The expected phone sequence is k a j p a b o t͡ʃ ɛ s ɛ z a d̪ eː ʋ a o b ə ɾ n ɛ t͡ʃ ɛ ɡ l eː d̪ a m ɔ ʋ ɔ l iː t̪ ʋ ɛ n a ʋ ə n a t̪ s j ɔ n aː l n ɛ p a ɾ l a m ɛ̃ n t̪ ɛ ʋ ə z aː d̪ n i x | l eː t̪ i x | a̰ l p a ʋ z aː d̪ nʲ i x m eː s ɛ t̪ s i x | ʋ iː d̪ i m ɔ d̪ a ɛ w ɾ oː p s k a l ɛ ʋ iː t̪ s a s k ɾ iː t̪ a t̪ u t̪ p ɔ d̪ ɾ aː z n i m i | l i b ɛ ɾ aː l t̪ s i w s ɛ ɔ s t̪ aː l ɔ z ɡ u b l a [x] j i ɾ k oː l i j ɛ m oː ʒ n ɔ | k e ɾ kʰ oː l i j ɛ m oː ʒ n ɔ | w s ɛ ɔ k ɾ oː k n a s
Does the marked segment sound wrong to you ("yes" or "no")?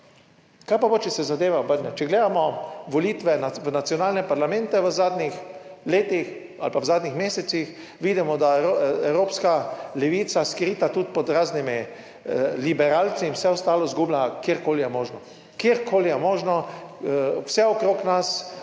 yes